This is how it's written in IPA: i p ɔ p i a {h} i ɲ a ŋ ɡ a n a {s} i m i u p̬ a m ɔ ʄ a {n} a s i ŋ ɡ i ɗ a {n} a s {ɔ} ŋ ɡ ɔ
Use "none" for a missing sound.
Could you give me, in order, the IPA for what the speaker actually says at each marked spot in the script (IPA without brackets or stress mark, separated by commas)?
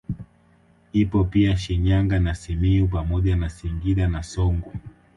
ʃ, s, n, n, ɔ